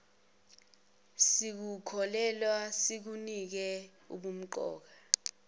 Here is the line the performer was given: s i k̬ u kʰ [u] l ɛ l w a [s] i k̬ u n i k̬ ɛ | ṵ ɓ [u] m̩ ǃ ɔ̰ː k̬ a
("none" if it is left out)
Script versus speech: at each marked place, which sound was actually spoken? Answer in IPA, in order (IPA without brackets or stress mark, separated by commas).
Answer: ɔ, s, u